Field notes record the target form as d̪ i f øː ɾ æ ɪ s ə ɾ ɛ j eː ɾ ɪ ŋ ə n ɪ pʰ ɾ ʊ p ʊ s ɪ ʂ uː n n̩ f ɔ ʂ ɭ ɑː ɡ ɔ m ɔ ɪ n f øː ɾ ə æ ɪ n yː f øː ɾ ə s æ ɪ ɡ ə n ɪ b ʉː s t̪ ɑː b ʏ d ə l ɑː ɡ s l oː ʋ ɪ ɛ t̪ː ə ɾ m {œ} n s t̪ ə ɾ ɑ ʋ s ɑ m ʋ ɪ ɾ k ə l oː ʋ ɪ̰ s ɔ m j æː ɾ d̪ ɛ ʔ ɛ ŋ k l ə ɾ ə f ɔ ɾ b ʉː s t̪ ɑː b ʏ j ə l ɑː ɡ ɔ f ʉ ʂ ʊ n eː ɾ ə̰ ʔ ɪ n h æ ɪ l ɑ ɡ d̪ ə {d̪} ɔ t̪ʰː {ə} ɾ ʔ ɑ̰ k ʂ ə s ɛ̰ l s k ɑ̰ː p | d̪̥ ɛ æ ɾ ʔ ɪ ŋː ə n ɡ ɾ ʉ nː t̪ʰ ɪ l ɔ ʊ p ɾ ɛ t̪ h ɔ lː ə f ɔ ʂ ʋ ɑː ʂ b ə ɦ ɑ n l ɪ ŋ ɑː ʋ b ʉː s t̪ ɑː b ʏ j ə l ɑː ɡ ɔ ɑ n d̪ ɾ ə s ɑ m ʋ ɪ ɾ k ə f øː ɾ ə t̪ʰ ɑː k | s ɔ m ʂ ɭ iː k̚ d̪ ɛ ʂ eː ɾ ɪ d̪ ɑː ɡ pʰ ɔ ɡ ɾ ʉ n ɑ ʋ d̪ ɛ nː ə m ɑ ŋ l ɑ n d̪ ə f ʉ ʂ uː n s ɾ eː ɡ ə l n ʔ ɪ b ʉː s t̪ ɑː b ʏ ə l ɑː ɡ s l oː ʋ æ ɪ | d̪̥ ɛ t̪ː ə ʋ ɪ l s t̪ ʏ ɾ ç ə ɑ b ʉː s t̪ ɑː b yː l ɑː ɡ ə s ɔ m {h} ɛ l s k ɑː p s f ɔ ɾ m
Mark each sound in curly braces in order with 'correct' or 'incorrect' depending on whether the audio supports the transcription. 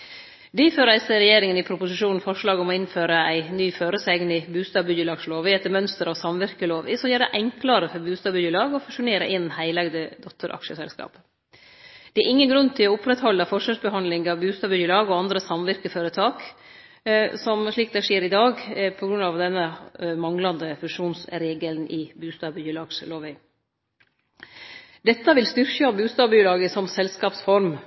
correct, correct, correct, incorrect

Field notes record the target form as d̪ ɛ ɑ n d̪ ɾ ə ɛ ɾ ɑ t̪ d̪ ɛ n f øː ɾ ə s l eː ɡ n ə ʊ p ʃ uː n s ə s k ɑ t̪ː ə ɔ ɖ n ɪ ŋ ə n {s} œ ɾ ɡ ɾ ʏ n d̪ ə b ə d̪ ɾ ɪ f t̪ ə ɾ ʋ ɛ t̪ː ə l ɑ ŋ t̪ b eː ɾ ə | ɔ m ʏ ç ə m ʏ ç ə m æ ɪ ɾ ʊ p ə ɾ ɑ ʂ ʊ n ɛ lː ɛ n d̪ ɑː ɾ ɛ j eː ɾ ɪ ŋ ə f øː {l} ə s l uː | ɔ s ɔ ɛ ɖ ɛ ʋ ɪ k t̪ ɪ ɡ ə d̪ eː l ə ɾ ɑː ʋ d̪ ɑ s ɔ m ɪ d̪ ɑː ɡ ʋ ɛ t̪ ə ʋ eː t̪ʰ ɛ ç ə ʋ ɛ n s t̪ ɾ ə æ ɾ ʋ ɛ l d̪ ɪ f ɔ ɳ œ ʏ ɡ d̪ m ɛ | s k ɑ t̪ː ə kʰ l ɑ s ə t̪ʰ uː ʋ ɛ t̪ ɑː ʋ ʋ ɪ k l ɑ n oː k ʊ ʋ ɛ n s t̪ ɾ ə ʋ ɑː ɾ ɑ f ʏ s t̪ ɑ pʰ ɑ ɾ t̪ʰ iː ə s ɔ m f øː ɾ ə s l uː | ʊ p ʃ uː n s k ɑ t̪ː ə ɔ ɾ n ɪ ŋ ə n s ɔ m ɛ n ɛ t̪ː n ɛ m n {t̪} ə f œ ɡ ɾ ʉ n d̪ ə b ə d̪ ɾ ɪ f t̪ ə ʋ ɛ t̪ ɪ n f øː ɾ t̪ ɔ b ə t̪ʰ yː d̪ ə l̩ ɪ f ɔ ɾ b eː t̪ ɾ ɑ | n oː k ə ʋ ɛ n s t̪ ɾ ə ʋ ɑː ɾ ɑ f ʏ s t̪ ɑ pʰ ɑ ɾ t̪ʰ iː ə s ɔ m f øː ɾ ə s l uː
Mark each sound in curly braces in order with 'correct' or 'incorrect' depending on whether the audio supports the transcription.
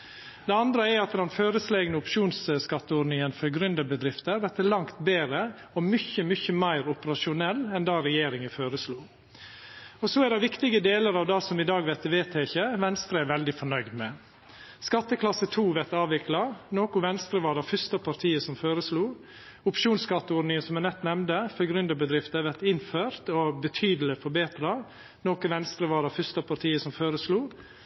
incorrect, incorrect, incorrect

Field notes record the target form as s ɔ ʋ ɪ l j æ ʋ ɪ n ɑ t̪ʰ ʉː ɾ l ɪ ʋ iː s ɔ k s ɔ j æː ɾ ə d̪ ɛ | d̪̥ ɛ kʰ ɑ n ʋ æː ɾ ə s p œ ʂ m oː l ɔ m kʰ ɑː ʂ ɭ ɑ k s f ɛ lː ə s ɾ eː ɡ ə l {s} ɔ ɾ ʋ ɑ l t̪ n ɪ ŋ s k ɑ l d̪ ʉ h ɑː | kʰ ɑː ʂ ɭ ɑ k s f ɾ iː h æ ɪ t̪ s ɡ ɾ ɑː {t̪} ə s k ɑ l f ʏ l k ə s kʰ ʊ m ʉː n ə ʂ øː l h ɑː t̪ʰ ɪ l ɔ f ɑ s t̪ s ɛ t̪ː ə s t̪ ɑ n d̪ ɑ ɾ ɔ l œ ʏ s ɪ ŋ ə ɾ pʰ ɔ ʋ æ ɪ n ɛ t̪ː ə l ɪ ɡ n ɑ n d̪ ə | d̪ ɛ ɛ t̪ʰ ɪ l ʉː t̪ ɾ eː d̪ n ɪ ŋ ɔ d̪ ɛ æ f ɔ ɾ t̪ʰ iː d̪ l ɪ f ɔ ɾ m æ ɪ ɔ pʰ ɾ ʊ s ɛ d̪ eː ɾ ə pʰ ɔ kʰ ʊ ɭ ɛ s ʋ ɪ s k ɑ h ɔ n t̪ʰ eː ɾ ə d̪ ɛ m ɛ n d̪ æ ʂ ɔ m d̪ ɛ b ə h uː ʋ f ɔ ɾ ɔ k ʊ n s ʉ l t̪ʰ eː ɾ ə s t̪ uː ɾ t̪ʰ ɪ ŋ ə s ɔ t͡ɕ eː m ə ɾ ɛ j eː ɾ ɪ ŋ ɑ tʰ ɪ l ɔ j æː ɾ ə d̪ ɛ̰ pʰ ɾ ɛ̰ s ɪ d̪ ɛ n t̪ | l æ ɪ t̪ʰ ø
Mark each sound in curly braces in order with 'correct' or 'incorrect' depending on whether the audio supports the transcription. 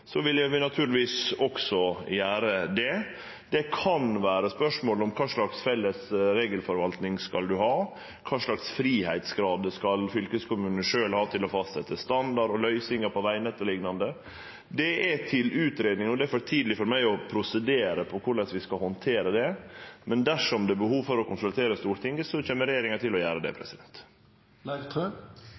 incorrect, incorrect

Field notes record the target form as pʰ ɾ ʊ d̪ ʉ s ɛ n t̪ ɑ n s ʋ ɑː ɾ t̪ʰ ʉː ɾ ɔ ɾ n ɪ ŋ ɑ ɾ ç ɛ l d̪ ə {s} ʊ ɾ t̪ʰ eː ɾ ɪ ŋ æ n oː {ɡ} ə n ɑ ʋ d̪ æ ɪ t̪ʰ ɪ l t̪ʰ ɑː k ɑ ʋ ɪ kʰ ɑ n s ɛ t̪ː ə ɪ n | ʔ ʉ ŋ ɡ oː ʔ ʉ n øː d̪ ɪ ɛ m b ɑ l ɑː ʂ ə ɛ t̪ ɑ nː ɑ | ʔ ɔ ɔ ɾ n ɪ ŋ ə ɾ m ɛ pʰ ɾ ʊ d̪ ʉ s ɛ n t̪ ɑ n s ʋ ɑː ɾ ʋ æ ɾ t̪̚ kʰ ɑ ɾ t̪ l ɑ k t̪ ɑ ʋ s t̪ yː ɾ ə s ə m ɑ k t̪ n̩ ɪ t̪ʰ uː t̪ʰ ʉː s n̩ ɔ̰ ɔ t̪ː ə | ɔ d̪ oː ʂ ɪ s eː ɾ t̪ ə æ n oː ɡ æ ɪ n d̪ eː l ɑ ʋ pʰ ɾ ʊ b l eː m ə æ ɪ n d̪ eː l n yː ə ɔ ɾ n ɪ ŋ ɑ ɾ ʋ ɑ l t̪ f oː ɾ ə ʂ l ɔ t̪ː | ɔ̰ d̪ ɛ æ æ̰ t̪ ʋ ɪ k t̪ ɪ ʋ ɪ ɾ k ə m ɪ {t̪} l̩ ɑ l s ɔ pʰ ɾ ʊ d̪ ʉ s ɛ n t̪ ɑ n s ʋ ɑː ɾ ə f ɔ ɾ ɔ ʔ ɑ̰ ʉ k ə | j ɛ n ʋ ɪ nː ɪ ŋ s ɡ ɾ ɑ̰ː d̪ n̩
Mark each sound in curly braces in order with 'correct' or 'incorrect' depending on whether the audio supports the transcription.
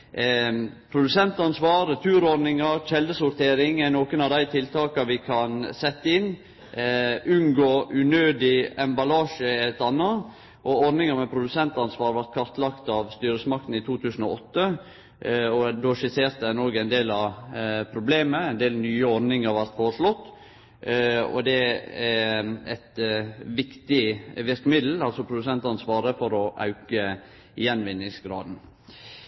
correct, incorrect, incorrect

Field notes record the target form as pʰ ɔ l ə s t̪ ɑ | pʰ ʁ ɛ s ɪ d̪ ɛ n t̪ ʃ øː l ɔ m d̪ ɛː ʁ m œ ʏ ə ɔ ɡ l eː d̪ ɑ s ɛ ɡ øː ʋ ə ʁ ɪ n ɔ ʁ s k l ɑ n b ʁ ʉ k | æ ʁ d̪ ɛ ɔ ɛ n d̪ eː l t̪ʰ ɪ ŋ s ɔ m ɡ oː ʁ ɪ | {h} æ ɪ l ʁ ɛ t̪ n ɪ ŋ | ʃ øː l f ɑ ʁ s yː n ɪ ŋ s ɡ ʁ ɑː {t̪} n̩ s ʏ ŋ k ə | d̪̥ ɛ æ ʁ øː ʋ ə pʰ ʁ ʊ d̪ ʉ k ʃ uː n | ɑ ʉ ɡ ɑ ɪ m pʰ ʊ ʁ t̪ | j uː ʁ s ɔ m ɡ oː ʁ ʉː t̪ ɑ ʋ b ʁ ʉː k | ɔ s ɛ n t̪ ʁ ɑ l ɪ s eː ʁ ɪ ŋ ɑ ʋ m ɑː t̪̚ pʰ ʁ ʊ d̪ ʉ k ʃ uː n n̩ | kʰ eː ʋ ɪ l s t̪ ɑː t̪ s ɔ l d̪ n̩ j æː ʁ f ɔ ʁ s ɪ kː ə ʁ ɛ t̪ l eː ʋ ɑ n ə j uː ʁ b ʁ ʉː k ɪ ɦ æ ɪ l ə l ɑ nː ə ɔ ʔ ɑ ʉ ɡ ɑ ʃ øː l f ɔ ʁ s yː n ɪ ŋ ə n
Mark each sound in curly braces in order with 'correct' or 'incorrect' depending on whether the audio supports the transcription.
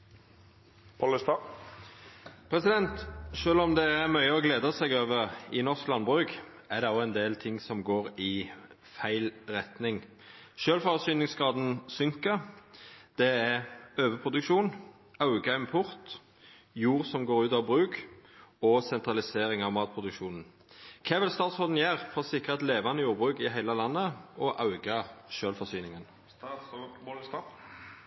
incorrect, incorrect

